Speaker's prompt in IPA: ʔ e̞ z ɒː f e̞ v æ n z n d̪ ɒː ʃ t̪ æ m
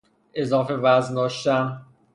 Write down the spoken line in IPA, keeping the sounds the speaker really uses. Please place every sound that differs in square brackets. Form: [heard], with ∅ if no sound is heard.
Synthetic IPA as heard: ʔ e̞ z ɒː f e̞ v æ [∅] z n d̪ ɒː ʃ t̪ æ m